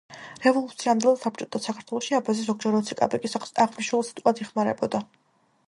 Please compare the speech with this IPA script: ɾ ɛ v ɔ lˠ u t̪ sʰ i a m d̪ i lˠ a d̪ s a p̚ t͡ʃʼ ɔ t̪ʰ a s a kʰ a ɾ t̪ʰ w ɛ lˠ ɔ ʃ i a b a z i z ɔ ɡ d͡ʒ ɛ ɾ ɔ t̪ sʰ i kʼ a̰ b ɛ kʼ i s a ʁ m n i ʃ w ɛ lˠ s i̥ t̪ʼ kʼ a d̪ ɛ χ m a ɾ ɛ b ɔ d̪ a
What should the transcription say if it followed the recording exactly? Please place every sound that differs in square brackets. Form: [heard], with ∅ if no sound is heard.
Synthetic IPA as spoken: ɾ ɛ v ɔ lˠ u t̪ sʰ i a m d̪ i lˠ a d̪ s a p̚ t͡ʃʼ ɔ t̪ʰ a s a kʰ a ɾ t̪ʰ w ɛ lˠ ɔ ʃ i a b a z i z ɔ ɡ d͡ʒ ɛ ɾ ɔ t̪ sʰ i kʼ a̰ b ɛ kʼ i s a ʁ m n i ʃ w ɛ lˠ s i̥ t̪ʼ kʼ a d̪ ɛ χ m a ɾ ɛ b ɔ d̪ a